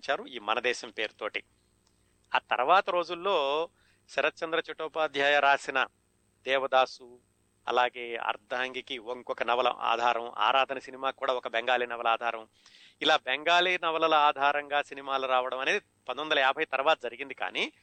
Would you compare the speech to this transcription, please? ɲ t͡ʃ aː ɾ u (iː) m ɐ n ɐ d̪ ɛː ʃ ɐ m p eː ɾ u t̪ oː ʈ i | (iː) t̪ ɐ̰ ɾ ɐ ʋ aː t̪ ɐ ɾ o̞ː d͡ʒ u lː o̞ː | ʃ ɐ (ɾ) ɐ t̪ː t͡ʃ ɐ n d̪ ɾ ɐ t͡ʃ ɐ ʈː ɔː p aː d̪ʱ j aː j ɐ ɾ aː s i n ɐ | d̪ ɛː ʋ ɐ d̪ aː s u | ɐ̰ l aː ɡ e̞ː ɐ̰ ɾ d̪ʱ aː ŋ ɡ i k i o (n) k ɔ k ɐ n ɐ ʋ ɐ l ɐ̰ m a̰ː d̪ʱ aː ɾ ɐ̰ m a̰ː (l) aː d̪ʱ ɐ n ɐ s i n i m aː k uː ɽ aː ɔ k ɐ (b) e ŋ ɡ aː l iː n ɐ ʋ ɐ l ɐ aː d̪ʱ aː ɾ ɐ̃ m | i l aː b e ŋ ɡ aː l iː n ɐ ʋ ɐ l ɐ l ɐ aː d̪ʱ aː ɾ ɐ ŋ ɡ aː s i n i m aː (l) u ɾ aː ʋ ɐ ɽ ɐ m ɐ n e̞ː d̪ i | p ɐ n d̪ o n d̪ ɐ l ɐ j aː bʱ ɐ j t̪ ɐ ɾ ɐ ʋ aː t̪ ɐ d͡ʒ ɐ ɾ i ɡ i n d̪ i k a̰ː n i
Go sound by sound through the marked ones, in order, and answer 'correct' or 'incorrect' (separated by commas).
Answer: correct, incorrect, correct, incorrect, incorrect, correct, correct